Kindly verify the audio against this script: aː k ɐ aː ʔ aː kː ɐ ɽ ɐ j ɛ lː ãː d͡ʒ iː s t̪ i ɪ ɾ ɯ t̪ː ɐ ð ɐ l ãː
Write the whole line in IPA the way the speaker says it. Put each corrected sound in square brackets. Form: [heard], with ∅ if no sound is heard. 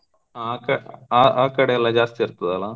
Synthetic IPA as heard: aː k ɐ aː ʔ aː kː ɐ ɽ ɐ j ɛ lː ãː d͡ʒ [aː] s t̪ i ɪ ɾ ɯ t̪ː ɐ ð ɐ l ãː